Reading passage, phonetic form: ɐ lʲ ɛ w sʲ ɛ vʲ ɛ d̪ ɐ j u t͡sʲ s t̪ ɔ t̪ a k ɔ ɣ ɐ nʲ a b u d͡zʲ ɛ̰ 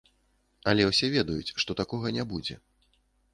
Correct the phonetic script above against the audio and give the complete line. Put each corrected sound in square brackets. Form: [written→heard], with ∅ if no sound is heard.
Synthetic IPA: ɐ lʲ ɛ w sʲ ɛ vʲ ɛ d̪ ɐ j u t͡sʲ [s→ʂ] t̪ ɔ t̪ a k ɔ ɣ ɐ nʲ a b u d͡zʲ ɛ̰